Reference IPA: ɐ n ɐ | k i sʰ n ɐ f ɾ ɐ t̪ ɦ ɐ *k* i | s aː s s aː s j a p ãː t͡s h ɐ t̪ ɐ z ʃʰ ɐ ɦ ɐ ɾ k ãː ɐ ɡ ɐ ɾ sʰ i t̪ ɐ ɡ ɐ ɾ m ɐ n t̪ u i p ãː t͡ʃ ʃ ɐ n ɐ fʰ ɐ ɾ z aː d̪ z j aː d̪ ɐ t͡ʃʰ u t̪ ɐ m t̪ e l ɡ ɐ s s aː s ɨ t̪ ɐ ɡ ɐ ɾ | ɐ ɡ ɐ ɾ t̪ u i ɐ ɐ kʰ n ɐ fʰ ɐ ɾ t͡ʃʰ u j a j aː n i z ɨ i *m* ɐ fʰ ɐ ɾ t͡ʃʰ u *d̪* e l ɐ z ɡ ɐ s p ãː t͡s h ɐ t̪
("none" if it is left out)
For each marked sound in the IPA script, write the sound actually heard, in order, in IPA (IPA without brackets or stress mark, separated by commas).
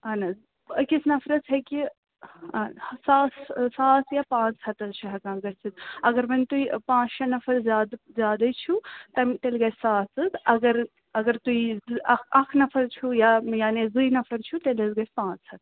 k, n, t̪